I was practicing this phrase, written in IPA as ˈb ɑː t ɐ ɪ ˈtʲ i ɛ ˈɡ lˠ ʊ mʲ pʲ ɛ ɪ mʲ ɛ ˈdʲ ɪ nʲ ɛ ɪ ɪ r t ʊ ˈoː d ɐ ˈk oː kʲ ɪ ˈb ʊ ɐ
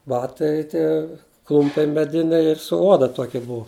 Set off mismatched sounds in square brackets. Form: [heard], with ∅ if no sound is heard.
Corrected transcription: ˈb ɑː t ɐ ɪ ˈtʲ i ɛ [ˈk] lˠ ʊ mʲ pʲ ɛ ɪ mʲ ɛ ˈdʲ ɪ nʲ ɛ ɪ ɪ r [s] ʊ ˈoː d ɐ [ˈt] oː kʲ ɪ ˈb ʊ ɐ